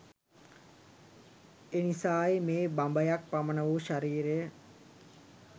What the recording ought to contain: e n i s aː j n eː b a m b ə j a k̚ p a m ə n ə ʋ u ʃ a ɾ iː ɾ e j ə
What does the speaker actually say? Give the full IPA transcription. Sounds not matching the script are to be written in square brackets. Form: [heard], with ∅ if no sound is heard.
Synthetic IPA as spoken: e n i s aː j [m] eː b a m b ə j a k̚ p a m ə n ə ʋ u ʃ a ɾ iː ɾ e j ə